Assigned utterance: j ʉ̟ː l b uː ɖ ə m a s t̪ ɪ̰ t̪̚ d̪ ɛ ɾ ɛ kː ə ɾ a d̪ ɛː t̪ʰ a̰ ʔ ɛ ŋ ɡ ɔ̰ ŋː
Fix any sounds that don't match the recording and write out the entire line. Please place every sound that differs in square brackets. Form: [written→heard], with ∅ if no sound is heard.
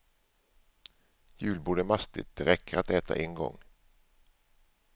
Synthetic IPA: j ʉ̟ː l b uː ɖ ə m a s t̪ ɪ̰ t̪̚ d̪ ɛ ɾ ɛ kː ə ɾ a [d̪→t̪] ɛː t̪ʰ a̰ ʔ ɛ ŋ ɡ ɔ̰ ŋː